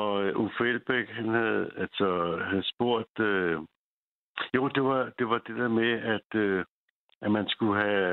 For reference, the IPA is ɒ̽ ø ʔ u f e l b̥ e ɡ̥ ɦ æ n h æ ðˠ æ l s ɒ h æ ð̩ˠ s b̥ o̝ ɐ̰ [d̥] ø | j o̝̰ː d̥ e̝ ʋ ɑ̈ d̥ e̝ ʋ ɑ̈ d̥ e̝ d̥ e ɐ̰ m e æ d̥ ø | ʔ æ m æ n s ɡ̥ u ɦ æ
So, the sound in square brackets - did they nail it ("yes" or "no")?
yes